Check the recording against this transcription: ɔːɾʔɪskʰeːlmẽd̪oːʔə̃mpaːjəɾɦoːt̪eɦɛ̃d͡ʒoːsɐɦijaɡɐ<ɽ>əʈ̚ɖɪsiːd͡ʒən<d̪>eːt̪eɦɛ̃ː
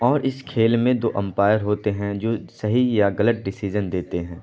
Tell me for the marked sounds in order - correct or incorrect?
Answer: incorrect: l, correct

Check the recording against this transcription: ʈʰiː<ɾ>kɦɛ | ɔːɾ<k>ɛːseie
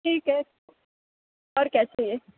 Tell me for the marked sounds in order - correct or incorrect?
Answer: incorrect: none, correct

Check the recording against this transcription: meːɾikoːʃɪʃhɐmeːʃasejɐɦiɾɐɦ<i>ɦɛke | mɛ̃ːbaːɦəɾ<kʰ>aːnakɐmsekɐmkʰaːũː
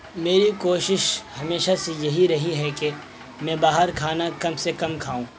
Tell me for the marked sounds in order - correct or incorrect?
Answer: correct, correct

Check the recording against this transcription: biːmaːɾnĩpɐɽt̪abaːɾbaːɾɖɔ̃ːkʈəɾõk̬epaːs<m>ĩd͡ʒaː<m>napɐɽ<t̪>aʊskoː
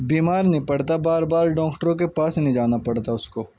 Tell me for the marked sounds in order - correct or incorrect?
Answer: incorrect: n, incorrect: none, correct

